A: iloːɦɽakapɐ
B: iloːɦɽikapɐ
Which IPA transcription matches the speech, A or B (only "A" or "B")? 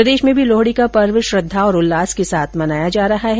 B